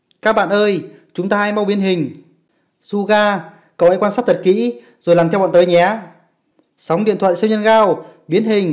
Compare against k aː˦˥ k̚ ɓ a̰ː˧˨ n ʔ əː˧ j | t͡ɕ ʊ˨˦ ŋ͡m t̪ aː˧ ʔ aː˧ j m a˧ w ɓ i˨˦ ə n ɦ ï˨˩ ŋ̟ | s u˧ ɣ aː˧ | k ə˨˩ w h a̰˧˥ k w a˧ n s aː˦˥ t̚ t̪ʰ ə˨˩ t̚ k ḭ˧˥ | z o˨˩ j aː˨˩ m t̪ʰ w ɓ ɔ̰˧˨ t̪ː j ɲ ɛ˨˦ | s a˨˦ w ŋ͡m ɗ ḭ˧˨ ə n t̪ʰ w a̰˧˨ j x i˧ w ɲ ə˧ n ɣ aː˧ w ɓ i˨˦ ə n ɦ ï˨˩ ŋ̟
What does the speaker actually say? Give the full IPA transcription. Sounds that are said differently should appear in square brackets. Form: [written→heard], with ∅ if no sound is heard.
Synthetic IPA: k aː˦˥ k̚ ɓ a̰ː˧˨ n ʔ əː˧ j | t͡ɕ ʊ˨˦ ŋ͡m t̪ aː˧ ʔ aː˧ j m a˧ w ɓ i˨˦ ə n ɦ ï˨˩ ŋ̟ | s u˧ ɣ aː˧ | k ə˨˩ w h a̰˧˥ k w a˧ n s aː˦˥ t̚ t̪ʰ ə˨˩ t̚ k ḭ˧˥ | z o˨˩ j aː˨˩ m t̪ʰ w ɓ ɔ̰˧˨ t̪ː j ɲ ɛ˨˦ | s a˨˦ w ŋ͡m ɗ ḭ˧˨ ə n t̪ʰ w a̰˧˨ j [x→s] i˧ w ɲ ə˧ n ɣ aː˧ w ɓ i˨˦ ə n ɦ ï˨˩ ŋ̟